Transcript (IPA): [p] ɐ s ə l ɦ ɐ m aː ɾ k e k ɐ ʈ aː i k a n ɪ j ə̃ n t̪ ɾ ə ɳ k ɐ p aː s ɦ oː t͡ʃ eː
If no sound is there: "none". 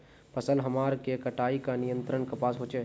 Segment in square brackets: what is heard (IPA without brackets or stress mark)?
p